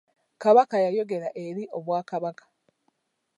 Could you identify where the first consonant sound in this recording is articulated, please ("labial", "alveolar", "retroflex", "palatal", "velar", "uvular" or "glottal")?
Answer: velar